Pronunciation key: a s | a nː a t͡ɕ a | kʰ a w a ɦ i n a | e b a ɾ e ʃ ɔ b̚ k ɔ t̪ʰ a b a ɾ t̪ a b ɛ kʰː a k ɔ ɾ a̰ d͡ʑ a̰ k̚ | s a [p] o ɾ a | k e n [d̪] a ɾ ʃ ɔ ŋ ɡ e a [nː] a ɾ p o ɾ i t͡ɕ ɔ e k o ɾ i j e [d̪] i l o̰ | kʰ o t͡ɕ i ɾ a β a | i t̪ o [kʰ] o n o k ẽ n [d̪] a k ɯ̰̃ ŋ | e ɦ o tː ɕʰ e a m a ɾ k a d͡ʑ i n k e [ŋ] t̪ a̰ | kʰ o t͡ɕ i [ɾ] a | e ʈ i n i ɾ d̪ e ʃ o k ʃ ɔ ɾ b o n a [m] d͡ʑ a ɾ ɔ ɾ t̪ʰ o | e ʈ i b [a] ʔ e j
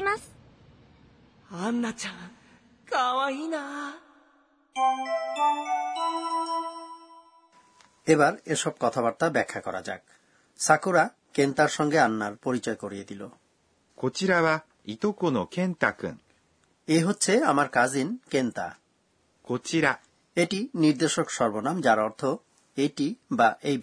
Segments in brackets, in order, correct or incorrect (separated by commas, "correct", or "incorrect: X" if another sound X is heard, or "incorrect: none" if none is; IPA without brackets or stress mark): incorrect: k, incorrect: t̪, correct, correct, incorrect: k, incorrect: t̪, incorrect: n, correct, correct, correct